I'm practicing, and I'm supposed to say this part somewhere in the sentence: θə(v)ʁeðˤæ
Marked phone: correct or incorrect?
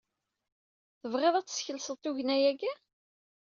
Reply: correct